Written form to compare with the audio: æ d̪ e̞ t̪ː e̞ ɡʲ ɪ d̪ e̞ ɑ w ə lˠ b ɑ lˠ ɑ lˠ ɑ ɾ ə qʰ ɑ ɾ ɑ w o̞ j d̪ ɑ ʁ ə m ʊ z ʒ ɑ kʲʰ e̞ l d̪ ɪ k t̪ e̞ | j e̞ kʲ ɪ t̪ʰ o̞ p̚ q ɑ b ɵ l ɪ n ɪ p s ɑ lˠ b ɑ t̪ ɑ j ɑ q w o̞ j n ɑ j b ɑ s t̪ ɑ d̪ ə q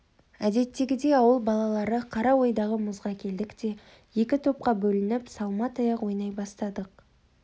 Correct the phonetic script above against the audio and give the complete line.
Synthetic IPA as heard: æ d̪ e̞ t̪ː e̞ ɡʲ ɪ d̪ e̞ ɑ w ə lˠ b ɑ lˠ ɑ lˠ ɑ ɾ ə qʰ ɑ ɾ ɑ w o̞ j d̪ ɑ ʁ ə m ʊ z ʁ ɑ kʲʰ e̞ l d̪ ɪ k t̪ e̞ | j e̞ kʲ ɪ t̪ʰ o̞ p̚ q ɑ b ɵ l ɪ n ɪ p s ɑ lˠ m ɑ t̪ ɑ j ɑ q w o̞ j n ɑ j b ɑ s t̪ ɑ d̪ ə q

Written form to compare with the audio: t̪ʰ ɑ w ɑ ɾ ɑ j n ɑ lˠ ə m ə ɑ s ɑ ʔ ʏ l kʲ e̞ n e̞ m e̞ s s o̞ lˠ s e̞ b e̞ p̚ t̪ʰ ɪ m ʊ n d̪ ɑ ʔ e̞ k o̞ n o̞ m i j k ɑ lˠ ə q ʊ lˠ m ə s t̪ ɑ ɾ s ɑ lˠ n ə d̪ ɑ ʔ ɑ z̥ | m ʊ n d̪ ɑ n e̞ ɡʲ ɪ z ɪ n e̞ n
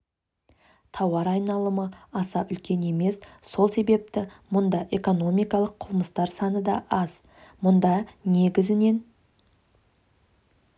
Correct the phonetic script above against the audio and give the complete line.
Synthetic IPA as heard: t̪ʰ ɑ w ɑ ɾ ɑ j n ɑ lˠ ə m ə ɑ s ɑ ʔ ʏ l kʲ e̞ n e̞ m e̞ s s o̞ lˠ s e̞ b e̞ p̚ t̪ ɪ m ʊ n d̪ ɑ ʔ e̞ k o̞ n o̞ m i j k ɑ lˠ ə qʰ ʊ lˠ m ə s t̪ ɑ ɾ s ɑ n ə d̪ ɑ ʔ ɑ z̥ | m ʊ n d̪ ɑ n e̞ ɡʲ ɪ z ɪ n e̞ n

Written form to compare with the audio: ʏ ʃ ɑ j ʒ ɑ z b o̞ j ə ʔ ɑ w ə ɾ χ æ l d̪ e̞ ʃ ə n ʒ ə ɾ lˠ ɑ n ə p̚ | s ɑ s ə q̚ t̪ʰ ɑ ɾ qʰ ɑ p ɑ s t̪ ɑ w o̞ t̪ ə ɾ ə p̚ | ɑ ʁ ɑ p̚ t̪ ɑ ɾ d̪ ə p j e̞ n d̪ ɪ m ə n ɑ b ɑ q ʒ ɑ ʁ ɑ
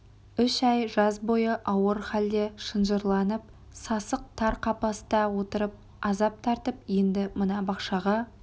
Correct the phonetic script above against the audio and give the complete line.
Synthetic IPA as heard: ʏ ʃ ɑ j ʒ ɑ z b o̞ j ə ʔ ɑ w ə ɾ χ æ l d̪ e̞ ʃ ə n ʒ ə ɾ lˠ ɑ n ə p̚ | s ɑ s ə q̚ t̪ʰ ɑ ɾ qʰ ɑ p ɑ s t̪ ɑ w o̞ t̪ ə ɾ ə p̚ | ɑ z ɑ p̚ t̪ʰ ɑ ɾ t̪ ə p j e̞ n d̪ ɪ m ə n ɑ b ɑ q ʃ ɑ ʁ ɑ

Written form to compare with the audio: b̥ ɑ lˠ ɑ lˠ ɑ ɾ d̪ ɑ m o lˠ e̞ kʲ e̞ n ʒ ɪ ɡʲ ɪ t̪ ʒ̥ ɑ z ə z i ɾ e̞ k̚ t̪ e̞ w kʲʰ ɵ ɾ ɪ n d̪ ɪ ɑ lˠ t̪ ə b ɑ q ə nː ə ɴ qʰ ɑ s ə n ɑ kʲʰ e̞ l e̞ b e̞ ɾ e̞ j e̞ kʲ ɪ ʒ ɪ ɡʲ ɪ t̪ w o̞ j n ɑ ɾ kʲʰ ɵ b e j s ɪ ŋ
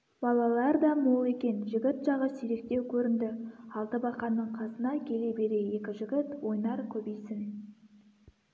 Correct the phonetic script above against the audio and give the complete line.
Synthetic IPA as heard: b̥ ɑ lˠ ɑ lˠ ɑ ɾ d̪ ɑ m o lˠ e̞ kʲ e̞ n ʒ ɪ ɡʲ ɪ t̪ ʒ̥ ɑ ʁ ə s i ɾ e̞ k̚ t̪ e̞ w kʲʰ ɵ ɾ ɪ n d̪ ɪ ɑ lˠ t̪ ə b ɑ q ɑ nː ə ɴ qʰ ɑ s ə n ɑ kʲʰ e̞ l e̞ b e̞ ɾ e̞ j e̞ kʲ ɪ ʒ ɪ ɡʲ ɪ t̪ w o̞ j n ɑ ɾ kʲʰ ɵ b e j s ɪ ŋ

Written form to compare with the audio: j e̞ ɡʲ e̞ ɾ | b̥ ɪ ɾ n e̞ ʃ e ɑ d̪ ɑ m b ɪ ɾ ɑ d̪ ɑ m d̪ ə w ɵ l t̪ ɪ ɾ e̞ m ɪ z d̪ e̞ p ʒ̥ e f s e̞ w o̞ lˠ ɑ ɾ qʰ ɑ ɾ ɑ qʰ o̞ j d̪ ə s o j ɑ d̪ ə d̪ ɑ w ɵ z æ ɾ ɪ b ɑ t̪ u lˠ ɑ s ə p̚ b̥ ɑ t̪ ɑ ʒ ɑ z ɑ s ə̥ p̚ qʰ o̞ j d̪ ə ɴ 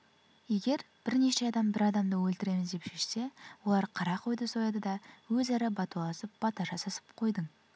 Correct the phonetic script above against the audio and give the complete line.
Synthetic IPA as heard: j e̞ ɡʲ e̞ ɾ | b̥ ɪ ɾ n e̞ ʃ e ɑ d̪ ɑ m b ɪ ɾ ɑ d̪ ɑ m d̪ ə w ɵ l t̪ ɪ ɾ e̞ m ɪ z d̪ e̞ p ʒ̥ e ʃ s e̞ w o̞ lˠ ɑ ɾ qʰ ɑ ɾ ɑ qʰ o̞ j d̪ ə s o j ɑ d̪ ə d̪ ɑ w ɵ z æ ɾ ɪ b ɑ t̪ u lˠ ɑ s ə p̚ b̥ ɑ t̪ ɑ ʒ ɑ s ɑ s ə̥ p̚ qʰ o̞ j d̪ ə ɴ

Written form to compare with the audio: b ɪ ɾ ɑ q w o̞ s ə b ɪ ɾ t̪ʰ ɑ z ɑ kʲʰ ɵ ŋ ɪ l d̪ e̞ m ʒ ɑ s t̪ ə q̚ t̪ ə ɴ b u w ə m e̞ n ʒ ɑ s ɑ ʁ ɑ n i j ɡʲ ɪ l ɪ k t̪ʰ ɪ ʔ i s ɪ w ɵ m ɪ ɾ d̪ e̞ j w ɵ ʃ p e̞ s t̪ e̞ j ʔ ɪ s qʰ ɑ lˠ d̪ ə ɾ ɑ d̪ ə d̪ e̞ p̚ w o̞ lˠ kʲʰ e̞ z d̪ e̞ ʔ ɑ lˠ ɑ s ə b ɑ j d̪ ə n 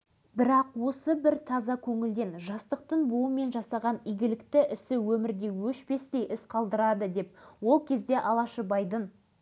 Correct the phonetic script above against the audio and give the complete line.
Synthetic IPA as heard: b ɪ ɾ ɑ q w o̞ s ə b ɪ ɾ t̪ʰ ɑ z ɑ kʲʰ ɵ ŋ ɪ l d̪ e̞ n ʒ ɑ s t̪ ə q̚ t̪ ə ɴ b u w ə m e̞ n ʒ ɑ s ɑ ʁ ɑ n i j ɡʲ ɪ l ɪ k t̪ ɪ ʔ ɪ s ɪ w ɵ m ɪ ɾ d̪ e̞ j w ɵ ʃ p e̞ s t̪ e̞ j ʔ ɪ s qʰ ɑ lˠ d̪ ə ɾ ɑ d̪ ə d̪ e̞ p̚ w o̞ lˠ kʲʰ e̞ z d̪ e̞ ʔ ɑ lˠ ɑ ʃ ə b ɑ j d̪ ə n

